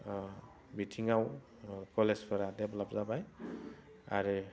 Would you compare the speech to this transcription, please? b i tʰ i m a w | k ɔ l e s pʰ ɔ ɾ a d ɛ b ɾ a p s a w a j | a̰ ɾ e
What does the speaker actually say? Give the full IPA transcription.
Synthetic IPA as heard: b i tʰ i ŋ a w | k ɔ l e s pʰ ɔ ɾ a d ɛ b l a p z a b a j | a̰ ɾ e